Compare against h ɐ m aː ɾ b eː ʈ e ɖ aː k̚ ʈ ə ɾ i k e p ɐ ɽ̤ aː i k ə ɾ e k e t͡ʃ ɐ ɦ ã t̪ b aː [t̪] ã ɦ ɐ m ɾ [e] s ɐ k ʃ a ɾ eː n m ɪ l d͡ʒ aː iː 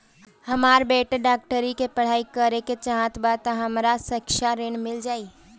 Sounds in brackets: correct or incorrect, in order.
correct, incorrect

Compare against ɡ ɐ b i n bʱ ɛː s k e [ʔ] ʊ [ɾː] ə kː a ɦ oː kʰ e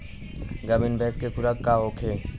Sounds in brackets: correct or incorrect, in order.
incorrect, incorrect

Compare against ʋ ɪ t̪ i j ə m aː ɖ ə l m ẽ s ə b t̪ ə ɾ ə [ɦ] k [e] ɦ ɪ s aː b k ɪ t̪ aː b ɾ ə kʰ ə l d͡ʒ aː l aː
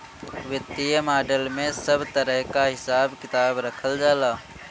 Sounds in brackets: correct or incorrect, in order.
correct, incorrect

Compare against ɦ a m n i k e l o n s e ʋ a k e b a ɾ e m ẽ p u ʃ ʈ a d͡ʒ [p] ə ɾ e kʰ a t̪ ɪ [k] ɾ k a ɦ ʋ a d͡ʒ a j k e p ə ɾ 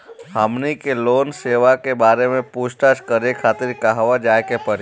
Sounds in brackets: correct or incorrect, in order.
incorrect, incorrect

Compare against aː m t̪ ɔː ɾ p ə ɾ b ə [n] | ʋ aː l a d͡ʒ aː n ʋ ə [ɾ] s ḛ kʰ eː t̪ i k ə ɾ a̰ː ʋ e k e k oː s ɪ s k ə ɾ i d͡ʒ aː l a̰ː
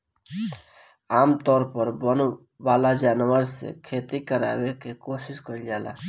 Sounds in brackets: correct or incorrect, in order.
correct, correct

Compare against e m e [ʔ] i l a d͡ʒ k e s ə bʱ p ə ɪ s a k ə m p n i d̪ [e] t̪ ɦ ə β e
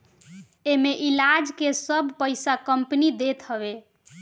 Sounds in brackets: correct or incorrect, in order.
correct, correct

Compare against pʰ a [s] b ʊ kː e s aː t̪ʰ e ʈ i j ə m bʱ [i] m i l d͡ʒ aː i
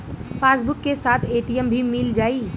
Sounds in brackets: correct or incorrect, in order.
correct, correct

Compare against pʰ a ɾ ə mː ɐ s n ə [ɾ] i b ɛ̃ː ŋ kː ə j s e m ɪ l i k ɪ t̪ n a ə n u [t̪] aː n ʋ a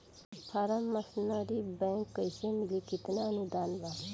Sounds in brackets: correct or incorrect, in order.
correct, incorrect

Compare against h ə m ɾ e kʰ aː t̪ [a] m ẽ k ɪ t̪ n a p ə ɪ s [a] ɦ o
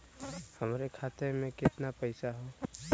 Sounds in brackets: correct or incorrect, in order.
incorrect, correct

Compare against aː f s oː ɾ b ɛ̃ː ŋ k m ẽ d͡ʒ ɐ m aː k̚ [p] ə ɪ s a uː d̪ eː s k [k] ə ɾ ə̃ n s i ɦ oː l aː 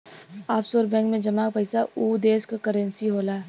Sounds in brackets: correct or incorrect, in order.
correct, correct

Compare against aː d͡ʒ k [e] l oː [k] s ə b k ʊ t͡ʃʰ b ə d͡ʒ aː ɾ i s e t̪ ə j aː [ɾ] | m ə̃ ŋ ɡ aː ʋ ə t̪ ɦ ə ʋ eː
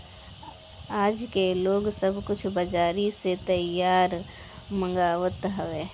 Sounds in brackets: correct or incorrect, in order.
correct, incorrect, correct

